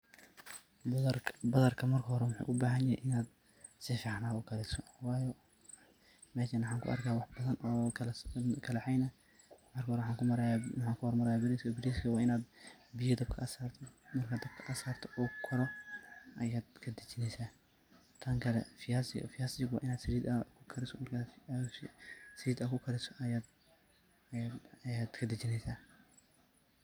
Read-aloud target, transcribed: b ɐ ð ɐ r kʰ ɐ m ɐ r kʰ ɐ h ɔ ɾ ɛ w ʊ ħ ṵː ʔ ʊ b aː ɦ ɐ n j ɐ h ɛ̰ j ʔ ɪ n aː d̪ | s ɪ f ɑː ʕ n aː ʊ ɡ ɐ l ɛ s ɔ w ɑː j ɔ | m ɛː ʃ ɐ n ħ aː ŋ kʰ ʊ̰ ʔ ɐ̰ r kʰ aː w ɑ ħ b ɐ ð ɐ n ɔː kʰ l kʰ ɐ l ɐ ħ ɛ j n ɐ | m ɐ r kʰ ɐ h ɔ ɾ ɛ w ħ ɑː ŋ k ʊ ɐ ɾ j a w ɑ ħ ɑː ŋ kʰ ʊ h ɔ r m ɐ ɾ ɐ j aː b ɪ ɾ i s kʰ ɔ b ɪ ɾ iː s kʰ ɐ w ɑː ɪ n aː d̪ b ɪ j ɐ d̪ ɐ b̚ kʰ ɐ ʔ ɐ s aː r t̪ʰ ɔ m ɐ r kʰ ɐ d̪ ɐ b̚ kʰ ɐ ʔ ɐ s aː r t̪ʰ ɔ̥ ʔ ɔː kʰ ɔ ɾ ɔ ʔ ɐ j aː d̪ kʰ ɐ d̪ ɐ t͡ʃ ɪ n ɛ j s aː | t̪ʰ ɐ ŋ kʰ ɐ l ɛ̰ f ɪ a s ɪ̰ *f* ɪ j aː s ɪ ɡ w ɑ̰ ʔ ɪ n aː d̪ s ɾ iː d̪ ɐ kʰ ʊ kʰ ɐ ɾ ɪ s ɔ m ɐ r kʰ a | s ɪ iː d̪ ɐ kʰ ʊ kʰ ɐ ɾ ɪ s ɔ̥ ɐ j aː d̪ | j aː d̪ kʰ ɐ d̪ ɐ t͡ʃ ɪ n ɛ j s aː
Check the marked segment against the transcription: correct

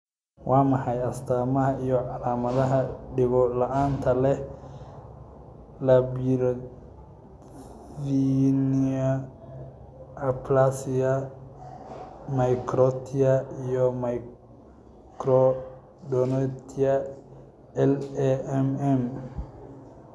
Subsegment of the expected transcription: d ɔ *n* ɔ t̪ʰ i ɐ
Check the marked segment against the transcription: correct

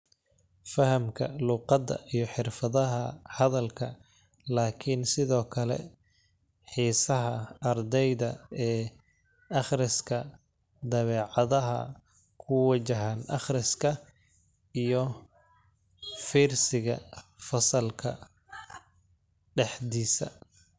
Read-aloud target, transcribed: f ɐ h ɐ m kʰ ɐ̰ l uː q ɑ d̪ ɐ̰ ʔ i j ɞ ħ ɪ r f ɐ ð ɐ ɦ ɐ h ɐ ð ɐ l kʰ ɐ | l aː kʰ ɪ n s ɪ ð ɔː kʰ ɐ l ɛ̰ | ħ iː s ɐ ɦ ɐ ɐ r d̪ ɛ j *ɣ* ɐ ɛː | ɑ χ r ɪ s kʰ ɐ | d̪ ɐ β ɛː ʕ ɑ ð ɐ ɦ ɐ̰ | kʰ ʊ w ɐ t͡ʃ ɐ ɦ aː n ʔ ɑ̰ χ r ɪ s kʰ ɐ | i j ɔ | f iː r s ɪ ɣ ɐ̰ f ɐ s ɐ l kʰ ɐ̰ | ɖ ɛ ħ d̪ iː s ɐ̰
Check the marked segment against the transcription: incorrect: ð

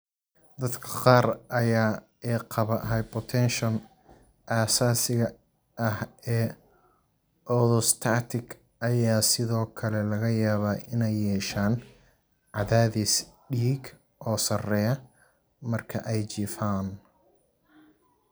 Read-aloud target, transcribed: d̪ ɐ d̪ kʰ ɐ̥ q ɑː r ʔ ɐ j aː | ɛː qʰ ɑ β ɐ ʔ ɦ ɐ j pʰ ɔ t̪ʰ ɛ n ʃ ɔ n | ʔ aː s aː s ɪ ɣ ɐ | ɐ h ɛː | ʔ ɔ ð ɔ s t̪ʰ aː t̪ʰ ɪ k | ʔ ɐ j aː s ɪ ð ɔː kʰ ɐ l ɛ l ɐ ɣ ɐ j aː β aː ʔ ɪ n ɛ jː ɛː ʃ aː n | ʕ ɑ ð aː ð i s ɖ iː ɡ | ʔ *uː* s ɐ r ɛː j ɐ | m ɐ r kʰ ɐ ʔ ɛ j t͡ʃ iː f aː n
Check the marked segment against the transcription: incorrect: ɔː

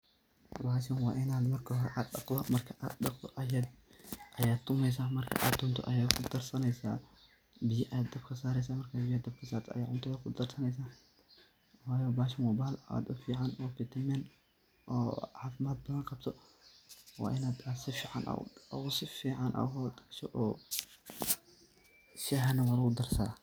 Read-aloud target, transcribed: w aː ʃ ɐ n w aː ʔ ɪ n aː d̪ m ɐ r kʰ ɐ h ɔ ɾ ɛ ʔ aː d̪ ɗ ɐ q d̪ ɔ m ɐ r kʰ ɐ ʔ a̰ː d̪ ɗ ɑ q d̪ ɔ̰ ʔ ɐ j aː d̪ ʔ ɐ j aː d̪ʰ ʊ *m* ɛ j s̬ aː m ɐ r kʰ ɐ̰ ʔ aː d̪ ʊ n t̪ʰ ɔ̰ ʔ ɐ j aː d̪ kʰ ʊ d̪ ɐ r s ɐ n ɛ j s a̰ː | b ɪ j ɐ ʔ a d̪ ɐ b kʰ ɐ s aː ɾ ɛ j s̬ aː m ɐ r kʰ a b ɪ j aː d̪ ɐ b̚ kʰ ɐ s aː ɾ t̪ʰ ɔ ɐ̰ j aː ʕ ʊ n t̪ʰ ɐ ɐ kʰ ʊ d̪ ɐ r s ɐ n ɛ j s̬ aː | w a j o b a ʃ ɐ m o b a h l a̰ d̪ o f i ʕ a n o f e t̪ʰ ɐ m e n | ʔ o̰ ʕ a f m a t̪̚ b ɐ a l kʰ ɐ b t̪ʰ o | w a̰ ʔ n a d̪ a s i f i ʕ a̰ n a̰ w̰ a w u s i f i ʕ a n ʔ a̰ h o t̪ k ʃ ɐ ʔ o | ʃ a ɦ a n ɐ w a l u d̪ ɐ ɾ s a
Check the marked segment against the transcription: correct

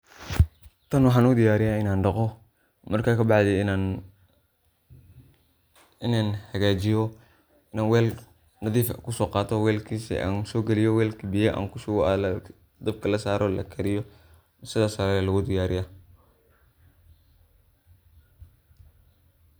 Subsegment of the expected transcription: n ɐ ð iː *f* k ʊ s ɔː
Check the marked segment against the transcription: correct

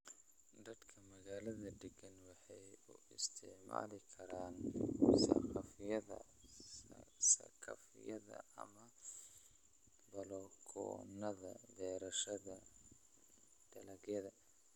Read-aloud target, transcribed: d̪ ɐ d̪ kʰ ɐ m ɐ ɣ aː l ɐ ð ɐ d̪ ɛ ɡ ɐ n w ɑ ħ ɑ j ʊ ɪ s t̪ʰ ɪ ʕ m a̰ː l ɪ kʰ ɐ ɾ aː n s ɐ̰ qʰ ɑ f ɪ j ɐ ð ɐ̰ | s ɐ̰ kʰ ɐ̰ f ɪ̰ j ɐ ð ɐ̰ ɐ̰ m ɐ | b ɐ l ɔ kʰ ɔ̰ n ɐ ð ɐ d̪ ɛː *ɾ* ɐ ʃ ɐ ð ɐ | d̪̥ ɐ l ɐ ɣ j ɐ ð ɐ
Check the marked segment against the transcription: correct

